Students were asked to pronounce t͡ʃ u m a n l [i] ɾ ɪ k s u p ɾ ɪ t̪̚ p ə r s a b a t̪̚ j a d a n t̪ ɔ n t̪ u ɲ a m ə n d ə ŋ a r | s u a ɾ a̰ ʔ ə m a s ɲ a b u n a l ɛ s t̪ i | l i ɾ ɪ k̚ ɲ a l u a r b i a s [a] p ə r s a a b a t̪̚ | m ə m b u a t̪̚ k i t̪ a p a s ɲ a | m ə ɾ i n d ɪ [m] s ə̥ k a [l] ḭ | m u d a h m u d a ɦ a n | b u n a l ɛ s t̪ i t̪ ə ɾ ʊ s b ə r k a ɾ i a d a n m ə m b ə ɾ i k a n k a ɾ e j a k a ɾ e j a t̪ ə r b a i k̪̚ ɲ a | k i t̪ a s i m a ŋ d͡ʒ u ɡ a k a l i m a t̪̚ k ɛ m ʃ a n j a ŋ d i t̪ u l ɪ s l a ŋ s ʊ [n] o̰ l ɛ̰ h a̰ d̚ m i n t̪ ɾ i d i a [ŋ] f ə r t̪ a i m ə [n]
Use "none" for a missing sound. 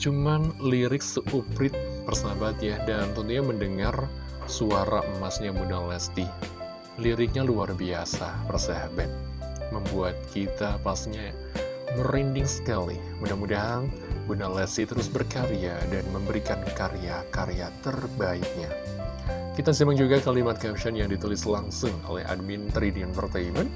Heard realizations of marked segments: i, a, ŋ, l, ŋ, n, n

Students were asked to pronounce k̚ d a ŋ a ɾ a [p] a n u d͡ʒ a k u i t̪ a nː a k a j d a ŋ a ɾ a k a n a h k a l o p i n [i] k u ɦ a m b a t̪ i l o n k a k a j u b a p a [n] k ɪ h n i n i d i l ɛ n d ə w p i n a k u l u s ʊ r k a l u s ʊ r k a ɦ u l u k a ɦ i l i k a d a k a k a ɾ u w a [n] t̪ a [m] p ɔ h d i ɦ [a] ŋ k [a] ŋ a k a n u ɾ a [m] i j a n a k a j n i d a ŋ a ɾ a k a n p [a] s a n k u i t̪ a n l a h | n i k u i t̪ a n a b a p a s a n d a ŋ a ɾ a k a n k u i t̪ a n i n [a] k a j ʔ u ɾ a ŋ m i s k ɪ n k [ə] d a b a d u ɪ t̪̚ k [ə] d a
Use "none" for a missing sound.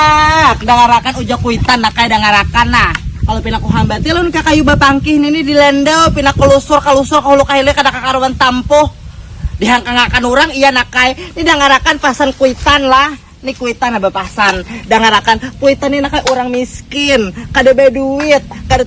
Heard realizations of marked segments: k, a, ŋ, n, m, a, a, ŋ, a, a, a, a

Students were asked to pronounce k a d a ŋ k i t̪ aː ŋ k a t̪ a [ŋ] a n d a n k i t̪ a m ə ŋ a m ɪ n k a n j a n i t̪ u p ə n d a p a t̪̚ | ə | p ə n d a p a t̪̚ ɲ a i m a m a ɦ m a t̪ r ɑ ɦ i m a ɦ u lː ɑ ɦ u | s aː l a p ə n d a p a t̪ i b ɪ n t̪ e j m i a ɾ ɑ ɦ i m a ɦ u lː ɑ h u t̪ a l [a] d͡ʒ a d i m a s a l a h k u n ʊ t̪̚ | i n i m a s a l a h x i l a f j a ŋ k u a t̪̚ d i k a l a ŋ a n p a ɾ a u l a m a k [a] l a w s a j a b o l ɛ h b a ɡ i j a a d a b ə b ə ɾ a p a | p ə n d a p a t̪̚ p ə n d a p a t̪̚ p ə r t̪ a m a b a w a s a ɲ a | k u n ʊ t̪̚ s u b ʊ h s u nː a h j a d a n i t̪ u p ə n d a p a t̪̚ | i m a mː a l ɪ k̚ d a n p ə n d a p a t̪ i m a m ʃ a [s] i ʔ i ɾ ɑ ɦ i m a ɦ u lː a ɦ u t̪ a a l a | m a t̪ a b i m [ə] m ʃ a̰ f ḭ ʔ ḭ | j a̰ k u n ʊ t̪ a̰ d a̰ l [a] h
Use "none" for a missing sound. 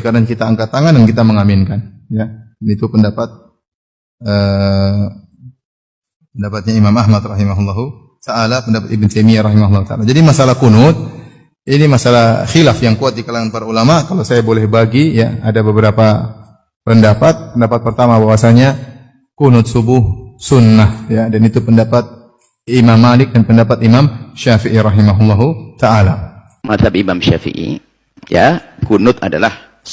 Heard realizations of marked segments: ŋ, a, a, f, a, a

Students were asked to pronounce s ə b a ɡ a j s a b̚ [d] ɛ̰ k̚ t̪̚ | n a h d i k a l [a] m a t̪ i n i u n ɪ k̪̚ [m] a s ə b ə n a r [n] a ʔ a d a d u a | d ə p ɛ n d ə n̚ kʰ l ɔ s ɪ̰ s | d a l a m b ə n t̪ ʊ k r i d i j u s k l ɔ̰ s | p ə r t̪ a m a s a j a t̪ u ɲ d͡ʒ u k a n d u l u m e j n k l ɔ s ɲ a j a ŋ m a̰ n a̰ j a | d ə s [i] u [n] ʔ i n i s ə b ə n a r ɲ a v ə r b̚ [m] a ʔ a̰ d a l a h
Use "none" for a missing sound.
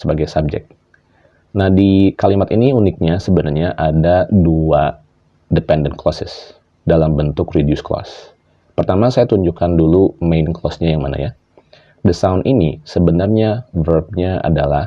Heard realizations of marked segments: d͡ʒ, i, ɲ, ɲ, a, n, ɲ

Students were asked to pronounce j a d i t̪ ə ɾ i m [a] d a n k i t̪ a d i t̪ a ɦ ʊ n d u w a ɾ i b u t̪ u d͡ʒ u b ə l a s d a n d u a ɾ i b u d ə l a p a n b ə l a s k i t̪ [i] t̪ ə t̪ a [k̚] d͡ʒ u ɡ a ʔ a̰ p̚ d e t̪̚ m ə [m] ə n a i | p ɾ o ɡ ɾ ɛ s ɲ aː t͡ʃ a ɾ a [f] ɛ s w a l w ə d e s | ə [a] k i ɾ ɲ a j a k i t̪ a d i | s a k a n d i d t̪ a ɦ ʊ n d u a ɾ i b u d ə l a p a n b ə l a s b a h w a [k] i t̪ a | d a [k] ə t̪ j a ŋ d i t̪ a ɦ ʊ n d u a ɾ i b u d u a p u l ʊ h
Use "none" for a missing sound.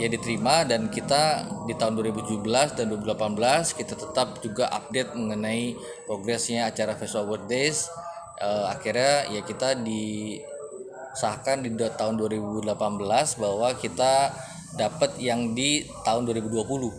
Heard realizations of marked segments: a, a, p̚, ŋ, f, a, k, p

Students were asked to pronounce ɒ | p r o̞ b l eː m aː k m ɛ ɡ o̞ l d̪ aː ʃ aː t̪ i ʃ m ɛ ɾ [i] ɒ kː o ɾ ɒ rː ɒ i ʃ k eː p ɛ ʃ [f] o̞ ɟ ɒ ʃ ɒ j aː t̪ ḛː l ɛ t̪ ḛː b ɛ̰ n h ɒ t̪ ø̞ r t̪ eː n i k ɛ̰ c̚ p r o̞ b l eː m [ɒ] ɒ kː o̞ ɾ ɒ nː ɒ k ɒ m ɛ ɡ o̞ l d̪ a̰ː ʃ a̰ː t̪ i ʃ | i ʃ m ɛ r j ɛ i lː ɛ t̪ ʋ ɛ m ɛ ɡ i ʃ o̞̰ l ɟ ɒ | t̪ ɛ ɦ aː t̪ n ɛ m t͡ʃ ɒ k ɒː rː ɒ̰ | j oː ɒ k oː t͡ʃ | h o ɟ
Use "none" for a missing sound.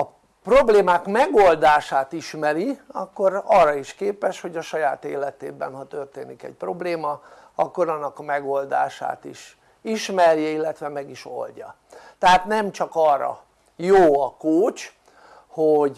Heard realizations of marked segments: i, h, ɒ

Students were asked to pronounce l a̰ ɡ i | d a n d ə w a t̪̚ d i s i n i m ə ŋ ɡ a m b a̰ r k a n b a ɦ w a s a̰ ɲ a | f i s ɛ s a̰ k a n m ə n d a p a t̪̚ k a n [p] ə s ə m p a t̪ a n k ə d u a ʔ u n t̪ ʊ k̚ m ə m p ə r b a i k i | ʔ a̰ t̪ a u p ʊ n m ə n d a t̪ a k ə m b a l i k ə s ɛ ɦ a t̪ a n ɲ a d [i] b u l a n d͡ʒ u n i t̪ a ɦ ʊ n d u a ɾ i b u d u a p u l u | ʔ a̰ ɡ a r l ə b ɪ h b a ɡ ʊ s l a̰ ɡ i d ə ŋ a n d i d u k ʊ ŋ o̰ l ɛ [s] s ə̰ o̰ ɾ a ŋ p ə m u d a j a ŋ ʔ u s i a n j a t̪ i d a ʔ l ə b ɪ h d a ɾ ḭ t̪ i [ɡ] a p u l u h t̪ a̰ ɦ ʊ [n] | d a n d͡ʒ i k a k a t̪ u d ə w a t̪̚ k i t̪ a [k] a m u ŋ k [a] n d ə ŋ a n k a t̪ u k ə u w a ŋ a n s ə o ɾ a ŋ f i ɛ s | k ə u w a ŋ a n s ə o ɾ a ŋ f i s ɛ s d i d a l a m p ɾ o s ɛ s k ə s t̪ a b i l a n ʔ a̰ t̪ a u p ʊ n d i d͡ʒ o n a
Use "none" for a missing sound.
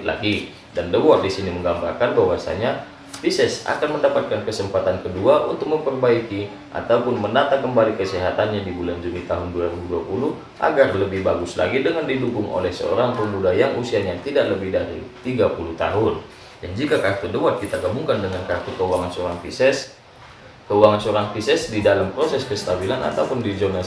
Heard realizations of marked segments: k, i, h, ɡ, n, ɡ, a

